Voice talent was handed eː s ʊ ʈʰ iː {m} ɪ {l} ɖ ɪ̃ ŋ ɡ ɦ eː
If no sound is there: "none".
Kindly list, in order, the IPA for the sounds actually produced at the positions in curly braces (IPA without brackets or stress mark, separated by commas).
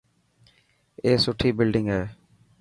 b, l